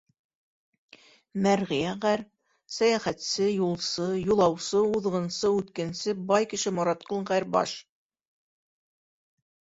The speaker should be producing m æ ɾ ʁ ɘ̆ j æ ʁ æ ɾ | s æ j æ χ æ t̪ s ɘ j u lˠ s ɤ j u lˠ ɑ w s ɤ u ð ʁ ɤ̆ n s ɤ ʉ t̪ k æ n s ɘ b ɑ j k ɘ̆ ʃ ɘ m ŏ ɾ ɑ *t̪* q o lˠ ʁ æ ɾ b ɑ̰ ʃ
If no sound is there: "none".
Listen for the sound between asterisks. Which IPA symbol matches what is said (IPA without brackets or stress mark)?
t̪